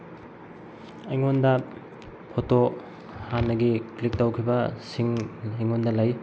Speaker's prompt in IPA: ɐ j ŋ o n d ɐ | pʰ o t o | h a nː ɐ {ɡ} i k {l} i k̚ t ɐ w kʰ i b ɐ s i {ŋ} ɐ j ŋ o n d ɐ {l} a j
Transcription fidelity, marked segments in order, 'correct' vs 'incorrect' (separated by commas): correct, correct, correct, correct